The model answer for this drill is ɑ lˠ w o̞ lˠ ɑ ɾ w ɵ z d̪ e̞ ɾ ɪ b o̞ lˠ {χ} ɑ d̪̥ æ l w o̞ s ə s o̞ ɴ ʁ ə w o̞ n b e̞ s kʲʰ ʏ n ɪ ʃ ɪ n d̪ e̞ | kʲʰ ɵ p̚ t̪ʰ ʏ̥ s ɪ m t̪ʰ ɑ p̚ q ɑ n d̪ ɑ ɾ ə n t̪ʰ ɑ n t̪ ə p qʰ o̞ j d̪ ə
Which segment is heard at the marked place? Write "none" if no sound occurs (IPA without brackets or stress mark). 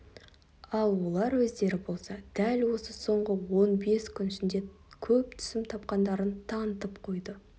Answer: s